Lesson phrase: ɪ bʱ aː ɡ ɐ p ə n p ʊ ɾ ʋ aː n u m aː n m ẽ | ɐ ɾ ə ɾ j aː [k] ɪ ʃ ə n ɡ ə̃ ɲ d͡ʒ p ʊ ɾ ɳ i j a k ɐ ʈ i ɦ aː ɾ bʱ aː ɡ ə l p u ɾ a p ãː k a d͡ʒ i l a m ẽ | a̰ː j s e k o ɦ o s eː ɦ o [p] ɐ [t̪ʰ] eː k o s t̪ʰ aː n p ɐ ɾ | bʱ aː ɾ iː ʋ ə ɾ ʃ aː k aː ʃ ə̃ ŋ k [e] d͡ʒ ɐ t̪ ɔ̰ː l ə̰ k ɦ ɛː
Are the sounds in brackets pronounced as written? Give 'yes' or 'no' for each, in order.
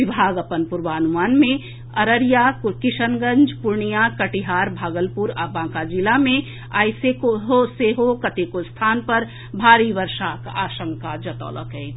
yes, no, no, no

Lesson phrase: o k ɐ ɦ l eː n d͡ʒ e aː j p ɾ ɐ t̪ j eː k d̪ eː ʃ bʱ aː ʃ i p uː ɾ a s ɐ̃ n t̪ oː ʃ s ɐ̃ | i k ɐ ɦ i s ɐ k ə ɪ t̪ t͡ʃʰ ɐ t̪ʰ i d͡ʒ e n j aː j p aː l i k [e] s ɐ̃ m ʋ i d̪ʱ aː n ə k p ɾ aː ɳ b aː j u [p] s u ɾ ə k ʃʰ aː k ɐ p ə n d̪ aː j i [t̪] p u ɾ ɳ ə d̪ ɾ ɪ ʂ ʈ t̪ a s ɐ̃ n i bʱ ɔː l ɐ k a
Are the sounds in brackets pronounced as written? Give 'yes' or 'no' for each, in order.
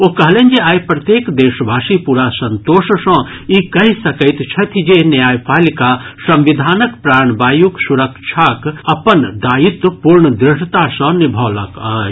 no, no, yes

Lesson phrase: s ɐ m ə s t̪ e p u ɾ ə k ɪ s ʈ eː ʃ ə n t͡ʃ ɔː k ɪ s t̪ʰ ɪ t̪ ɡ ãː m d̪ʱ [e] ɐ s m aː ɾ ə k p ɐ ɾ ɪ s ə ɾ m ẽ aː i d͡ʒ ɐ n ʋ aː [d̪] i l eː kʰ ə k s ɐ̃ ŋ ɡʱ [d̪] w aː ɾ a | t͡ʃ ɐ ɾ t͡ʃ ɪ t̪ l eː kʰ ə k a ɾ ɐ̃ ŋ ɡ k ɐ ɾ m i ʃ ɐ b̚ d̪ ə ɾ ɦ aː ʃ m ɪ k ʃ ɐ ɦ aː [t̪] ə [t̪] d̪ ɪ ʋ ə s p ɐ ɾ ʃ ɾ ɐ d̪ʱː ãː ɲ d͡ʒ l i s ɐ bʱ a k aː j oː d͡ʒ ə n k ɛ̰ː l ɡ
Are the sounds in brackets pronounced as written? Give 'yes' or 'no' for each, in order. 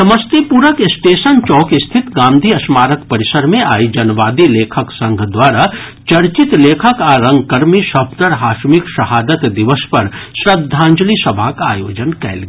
no, yes, yes, no, yes

